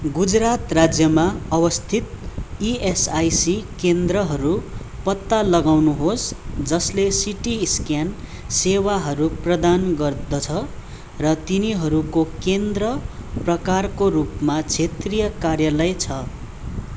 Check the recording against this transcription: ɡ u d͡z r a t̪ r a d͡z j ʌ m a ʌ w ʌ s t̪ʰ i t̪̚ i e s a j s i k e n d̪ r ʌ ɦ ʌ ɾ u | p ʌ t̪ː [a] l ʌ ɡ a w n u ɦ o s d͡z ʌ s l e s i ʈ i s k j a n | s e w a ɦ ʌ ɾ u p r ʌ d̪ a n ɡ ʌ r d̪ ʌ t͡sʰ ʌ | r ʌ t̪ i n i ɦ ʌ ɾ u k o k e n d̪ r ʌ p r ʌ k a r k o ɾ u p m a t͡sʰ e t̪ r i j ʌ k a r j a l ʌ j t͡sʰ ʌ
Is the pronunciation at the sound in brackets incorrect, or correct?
correct